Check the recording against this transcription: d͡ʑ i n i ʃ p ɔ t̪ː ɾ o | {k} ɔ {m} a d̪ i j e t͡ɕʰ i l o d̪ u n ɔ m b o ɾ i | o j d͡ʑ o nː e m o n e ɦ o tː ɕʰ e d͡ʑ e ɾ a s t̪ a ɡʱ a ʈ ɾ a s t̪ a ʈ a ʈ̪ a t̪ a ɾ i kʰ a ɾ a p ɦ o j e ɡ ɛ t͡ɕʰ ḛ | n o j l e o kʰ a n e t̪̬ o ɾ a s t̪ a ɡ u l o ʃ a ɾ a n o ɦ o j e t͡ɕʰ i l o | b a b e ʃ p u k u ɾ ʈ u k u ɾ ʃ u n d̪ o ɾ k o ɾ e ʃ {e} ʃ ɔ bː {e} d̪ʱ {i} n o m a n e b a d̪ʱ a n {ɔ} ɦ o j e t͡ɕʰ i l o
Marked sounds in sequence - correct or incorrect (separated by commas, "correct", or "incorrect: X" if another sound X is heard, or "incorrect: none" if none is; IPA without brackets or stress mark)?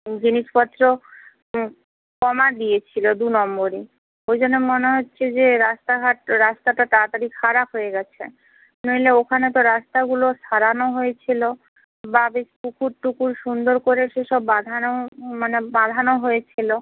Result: correct, correct, correct, incorrect: a, incorrect: a, incorrect: o